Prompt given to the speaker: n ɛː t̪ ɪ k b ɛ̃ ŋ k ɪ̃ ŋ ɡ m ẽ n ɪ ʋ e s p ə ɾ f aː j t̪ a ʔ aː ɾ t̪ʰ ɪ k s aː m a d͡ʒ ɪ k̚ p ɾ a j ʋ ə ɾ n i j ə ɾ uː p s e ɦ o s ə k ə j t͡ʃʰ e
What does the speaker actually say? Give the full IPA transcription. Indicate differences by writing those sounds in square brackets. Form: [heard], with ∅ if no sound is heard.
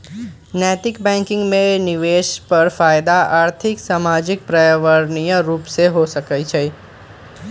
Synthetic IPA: n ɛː t̪ ɪ k b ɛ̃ ŋ k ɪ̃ ŋ ɡ m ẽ n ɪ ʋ e [ʃ] p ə ɾ f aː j [d̪] a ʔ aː ɾ t̪ʰ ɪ k s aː m a d͡ʒ ɪ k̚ p ɾ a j ʋ ə ɾ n i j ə ɾ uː p s e ɦ o s ə k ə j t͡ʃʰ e